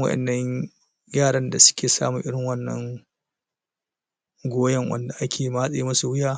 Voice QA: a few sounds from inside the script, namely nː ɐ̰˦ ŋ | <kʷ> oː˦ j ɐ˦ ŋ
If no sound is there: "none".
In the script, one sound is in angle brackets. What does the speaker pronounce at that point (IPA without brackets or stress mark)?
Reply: ɡʷ